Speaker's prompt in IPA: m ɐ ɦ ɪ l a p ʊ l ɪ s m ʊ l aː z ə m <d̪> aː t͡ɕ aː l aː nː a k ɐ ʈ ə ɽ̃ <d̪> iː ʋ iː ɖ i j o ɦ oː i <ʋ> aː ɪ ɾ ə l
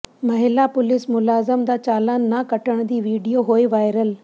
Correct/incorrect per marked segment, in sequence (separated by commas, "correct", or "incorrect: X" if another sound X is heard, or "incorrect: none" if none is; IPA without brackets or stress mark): correct, correct, correct